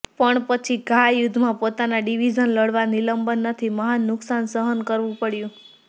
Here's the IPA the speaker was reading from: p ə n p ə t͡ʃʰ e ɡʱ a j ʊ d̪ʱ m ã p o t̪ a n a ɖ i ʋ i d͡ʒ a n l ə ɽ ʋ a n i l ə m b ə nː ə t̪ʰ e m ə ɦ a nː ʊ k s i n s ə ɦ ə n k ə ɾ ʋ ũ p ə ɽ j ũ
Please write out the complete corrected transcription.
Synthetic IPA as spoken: p ə ɳ p ə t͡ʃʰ i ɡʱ a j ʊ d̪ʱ m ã p o t̪ a n a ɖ i ʋ i d͡ʒ ə n l ə ɽ ʋ a n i l ə m b ə nː ə t̪ʰ i m ə ɦ a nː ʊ k s a n s ə ɦ ə n k ə ɾ ʋ ũ p ə ɽ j ũ